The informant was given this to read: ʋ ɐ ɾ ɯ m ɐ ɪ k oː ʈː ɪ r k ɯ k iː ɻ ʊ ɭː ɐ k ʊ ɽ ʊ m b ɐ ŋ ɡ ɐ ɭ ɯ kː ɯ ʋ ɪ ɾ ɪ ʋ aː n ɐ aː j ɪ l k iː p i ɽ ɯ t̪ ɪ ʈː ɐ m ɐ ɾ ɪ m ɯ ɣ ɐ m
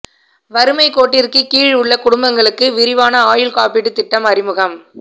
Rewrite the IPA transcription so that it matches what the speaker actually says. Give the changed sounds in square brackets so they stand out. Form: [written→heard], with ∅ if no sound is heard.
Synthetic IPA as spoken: ʋ ɐ ɾ ɯ m ɐ ɪ k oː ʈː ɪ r k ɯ k iː ɻ ʊ ɭː ɐ k ʊ ɽ ʊ m b ɐ ŋ ɡ ɐ ɭ ɯ kː ɯ ʋ ɪ ɾ ɪ ʋ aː n ɐ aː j ɪ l k [iː→aː] p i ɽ ɯ t̪ ɪ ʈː ɐ m ɐ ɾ ɪ m ɯ ɣ ɐ m